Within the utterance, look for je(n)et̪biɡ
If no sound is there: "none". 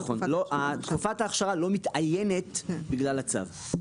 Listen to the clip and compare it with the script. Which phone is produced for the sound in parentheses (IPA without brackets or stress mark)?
n